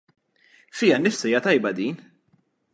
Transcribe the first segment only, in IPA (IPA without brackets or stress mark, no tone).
f